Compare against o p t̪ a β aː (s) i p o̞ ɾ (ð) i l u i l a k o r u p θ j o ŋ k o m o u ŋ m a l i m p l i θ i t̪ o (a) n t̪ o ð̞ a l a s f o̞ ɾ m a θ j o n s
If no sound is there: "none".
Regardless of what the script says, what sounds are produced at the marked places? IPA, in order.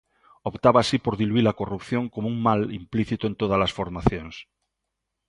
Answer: s, ð, e

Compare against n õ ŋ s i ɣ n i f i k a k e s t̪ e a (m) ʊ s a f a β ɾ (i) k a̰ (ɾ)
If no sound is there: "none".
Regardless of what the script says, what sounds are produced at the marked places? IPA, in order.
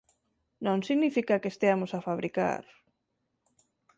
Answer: m, i, ɾ

